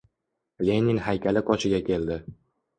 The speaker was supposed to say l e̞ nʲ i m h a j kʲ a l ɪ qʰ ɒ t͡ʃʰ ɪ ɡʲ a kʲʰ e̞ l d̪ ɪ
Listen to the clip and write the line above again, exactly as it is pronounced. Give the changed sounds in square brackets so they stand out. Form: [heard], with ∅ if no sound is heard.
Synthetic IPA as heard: l e̞ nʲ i [ŋ] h a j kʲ a l ɪ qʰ ɒ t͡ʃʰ ɪ ɡʲ a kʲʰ e̞ l d̪ ɪ